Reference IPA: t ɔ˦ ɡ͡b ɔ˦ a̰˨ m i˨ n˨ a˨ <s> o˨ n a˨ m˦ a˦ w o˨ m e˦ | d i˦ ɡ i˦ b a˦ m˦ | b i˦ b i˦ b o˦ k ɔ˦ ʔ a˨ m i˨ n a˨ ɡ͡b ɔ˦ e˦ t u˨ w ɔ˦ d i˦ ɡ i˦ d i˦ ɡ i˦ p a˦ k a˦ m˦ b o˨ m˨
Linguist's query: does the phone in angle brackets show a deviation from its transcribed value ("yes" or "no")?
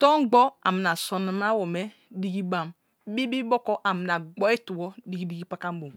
no